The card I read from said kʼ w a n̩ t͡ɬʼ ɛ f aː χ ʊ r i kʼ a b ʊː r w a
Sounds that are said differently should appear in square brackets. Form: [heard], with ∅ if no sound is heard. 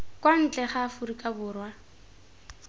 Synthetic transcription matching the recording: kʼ w a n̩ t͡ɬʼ ɛ [χ] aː [f] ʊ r i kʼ a b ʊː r w a

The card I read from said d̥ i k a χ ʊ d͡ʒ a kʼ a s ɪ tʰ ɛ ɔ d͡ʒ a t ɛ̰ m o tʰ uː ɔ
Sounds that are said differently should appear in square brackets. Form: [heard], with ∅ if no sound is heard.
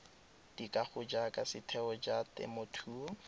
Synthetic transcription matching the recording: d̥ i k a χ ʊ d͡ʒ a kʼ a s ɪ tʰ ɛ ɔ d͡ʒ a t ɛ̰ m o tʰ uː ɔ

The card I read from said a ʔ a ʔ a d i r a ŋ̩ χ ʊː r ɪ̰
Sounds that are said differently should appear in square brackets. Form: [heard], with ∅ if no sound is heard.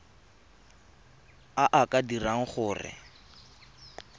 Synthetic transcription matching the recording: a ʔ a [k] a d i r a ŋ̩ χ ʊː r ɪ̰

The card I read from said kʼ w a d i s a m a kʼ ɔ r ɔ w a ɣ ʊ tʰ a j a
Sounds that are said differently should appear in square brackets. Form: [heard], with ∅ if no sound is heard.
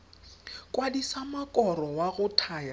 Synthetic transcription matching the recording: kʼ w a d i s a m a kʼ ɔ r ɔ w a ɣ ʊ tʰ a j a

